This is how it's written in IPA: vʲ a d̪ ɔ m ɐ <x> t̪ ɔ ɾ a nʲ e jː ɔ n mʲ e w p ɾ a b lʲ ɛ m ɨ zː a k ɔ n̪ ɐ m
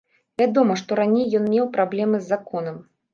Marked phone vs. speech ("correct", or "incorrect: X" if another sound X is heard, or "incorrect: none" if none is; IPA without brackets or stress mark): incorrect: ʂ